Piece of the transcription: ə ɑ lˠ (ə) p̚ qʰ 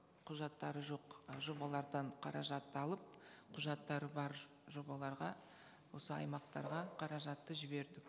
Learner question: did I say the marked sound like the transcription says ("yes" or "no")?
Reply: yes